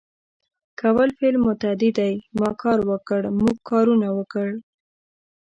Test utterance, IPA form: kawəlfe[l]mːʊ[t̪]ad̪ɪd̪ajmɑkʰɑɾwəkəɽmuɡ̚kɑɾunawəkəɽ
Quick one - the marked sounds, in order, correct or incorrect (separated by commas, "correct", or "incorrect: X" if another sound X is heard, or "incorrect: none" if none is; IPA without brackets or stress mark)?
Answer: correct, correct